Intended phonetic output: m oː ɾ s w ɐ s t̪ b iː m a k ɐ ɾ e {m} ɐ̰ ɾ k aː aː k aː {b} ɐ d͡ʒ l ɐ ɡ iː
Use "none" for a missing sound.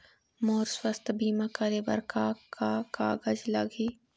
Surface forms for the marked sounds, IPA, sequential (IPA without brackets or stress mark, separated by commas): b, ɡ